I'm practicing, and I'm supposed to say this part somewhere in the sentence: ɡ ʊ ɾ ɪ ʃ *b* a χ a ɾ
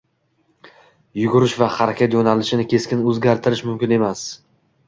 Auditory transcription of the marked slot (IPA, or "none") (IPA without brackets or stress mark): v